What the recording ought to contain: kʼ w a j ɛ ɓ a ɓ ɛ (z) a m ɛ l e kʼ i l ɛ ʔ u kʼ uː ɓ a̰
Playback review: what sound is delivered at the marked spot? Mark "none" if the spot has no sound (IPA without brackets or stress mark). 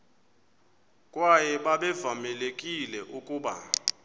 v